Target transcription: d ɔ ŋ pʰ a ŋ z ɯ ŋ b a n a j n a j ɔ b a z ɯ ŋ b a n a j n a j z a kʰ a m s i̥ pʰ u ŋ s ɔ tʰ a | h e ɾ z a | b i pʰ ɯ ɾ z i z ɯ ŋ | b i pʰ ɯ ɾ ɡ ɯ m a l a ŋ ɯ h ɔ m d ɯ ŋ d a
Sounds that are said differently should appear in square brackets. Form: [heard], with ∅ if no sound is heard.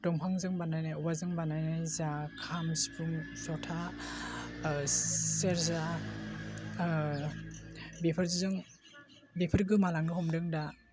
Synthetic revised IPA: d ɔ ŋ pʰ a ŋ z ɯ ŋ b a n a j n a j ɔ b a z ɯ ŋ b a n a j n a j z a kʰ a m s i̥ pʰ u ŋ s ɔ tʰ a | [s] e ɾ z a | b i pʰ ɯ ɾ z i z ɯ ŋ | b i pʰ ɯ ɾ ɡ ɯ m a l a ŋ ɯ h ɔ m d ɯ ŋ d a